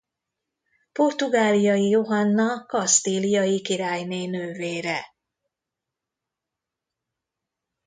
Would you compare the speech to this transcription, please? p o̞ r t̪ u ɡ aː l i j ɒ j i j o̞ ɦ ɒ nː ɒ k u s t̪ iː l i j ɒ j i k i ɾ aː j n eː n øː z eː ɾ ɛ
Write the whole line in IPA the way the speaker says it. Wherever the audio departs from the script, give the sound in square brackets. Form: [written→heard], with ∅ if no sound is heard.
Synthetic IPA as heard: p o̞ r t̪ u ɡ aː l i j ɒ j i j o̞ ɦ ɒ nː ɒ k [u→ɒ] s t̪ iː l i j ɒ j i k i ɾ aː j n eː n øː [z→v] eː ɾ ɛ